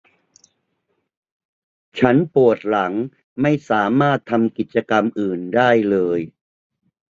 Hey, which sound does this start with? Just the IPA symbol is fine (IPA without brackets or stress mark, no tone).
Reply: t͡ɕʰ